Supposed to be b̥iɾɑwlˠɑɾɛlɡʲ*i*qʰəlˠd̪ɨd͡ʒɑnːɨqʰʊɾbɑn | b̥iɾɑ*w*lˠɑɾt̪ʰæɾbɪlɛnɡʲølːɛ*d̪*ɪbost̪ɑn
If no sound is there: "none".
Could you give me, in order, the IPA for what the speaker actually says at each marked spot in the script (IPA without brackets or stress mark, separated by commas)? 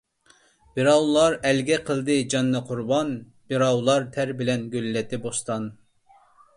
ɛ, w, t̪